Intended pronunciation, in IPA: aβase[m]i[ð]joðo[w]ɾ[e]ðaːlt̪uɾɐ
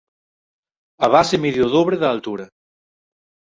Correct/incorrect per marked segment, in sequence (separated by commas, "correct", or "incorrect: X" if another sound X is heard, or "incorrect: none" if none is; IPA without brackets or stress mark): correct, correct, incorrect: β, correct